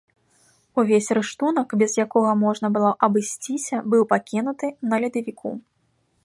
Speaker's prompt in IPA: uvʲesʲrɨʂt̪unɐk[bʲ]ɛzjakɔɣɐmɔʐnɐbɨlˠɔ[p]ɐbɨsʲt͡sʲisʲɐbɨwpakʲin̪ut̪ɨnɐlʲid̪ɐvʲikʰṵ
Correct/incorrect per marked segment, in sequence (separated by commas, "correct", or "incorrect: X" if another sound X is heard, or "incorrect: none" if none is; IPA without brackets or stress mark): correct, incorrect: ʔ